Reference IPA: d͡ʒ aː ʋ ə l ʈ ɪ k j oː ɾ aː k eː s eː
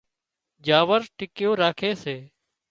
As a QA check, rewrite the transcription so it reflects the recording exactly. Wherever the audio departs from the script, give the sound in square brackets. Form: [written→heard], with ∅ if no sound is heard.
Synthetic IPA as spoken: d͡ʒ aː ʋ ə [l→ɾ] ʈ ɪ k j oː ɾ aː [k→kʰ] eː s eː